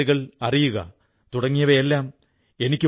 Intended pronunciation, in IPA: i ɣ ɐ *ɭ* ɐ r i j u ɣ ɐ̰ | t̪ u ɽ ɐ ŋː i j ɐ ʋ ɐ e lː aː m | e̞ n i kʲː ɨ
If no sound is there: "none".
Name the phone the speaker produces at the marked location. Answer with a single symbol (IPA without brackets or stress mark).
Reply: ɭ